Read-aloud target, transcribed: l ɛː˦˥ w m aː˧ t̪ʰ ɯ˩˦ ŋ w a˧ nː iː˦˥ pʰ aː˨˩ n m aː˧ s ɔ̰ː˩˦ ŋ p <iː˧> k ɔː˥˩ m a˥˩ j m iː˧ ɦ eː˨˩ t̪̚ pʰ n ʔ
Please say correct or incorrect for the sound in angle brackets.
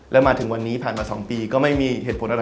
correct